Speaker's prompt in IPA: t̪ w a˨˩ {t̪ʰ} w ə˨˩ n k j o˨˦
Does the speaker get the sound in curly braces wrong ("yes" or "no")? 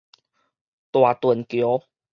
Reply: yes